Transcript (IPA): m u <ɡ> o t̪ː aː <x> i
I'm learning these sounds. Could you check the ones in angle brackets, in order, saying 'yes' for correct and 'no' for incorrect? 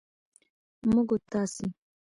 yes, no

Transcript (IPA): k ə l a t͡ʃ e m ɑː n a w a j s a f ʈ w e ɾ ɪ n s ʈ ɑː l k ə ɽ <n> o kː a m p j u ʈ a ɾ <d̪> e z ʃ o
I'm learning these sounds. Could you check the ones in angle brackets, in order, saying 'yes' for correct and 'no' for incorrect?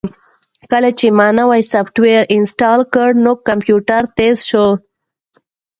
yes, no

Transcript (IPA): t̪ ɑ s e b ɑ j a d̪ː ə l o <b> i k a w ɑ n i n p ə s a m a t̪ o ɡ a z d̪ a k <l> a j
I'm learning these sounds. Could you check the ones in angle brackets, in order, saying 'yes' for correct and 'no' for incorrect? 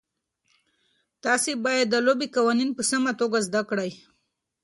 yes, no

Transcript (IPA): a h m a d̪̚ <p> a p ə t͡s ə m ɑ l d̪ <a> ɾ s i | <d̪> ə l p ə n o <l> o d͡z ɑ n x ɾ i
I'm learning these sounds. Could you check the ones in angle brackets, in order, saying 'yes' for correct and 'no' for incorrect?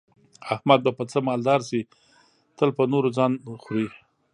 no, no, no, no

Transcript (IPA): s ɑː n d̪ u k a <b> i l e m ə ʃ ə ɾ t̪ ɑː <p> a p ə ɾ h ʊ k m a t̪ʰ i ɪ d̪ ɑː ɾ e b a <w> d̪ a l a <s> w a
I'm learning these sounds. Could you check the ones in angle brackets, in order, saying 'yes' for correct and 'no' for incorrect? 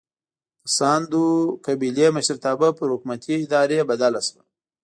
yes, no, no, yes

